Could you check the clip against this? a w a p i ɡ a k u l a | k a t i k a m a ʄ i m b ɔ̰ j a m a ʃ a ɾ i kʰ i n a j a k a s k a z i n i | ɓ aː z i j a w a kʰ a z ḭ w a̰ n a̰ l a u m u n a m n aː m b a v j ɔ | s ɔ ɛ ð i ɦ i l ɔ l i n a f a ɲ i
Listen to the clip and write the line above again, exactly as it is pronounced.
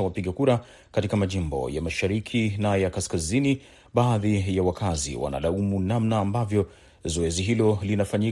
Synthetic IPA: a w a p i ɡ a k u ɾ a | k a t i k a m a ʄ i m b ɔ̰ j a m a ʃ a ɾ i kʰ i n a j a k a s k a z i n i | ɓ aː ð i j a w a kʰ a z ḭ w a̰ n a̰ l a u m u n a m n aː m b a v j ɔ | z ɔ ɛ z i ɦ i l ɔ l i n a f a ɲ i